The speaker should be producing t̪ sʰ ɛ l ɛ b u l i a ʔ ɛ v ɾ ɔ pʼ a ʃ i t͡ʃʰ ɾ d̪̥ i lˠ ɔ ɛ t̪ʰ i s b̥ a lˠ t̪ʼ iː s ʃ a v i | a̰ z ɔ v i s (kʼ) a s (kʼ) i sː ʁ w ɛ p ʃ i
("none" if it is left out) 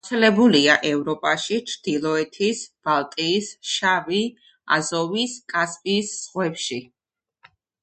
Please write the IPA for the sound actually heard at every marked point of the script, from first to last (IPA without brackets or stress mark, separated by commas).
kʼ, pʼ